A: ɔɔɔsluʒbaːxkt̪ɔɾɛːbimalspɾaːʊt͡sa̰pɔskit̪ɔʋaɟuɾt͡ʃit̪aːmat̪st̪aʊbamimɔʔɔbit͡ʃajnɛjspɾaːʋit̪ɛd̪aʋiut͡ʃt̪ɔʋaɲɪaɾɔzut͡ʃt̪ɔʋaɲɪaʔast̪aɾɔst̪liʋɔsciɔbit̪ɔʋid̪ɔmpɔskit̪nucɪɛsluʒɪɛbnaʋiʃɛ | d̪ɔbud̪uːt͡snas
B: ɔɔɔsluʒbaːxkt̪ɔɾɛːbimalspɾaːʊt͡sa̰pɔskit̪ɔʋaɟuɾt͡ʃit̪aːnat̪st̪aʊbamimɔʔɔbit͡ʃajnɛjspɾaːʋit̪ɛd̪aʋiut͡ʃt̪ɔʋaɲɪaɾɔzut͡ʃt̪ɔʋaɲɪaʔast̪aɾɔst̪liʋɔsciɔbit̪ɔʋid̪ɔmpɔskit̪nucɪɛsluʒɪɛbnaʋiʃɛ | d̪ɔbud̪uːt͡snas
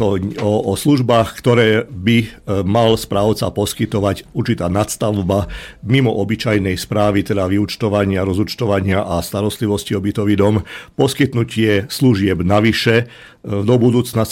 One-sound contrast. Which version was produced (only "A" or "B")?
B